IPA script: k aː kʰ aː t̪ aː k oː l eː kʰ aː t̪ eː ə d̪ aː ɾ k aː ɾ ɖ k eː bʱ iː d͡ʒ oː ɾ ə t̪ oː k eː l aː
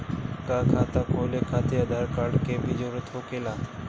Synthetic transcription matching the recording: k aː kʰ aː t̪ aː k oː l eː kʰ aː t̪ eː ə d̪ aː ɾ k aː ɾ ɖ k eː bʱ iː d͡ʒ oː ɾ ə t̪ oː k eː l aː